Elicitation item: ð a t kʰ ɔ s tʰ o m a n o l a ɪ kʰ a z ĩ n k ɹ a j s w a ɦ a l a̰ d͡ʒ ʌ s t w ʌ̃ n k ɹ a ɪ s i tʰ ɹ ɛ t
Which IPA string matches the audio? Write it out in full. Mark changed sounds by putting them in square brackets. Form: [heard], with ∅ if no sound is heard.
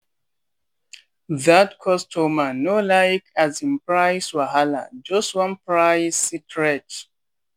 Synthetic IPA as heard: ð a t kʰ ɔ s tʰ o m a n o l a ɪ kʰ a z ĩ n [p] ɹ a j s w a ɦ a l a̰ d͡ʒ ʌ s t w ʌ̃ n [p] ɹ a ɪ s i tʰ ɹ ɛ t